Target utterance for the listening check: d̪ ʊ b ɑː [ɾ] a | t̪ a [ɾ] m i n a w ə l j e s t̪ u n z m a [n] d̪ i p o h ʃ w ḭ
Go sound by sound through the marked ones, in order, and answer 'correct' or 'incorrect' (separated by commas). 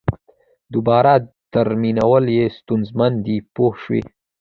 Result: correct, correct, correct